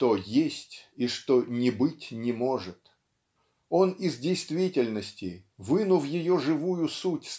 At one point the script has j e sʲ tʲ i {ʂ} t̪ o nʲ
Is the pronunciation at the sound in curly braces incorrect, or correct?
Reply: correct